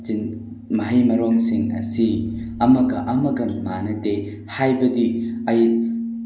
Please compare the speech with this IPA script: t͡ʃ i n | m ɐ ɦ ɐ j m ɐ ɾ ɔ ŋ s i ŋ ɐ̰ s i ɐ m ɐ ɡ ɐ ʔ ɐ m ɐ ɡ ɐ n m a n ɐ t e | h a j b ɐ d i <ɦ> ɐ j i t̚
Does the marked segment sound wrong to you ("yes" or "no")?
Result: yes